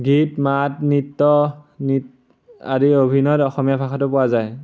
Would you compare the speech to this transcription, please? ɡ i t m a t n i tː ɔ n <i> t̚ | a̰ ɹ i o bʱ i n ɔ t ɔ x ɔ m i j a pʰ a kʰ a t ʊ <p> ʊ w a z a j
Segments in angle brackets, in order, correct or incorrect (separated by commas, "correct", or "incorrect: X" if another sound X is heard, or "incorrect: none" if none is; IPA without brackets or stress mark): correct, correct